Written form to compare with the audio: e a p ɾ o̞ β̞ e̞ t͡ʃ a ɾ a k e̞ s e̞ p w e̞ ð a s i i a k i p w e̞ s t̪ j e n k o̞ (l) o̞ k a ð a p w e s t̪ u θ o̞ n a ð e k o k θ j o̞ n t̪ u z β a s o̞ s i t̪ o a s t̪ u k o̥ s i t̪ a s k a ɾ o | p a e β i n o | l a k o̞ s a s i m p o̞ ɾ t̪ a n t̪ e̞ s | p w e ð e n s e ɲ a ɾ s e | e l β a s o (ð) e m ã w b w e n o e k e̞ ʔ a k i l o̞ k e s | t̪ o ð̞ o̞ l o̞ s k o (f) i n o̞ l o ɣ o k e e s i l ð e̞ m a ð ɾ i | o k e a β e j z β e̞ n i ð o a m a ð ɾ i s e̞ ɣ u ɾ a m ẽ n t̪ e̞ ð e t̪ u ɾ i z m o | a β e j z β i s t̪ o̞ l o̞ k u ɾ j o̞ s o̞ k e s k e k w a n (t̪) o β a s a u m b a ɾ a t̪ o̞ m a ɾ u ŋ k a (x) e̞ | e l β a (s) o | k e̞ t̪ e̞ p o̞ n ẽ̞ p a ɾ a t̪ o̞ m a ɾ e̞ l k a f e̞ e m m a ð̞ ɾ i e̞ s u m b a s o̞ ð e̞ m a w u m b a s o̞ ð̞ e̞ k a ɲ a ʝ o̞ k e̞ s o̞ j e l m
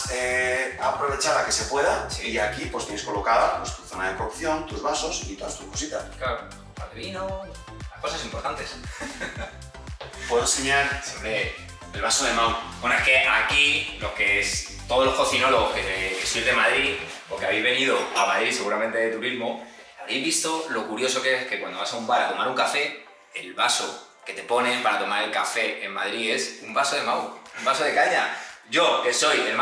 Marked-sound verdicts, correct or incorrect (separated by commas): correct, correct, incorrect, incorrect, incorrect, correct